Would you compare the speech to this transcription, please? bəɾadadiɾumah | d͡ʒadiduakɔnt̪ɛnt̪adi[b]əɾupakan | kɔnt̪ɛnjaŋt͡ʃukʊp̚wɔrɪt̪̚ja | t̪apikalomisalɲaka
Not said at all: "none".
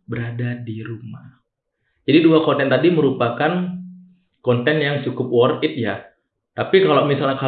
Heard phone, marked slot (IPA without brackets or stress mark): m